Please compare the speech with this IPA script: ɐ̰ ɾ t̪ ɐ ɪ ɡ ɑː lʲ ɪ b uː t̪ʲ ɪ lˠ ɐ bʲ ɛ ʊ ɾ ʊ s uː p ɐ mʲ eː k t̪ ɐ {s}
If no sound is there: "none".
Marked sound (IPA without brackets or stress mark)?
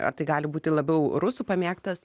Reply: s